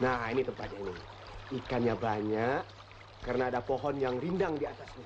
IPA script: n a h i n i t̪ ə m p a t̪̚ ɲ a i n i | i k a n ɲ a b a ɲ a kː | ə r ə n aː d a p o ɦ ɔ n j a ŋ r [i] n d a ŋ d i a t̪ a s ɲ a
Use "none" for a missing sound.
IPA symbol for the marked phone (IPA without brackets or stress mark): i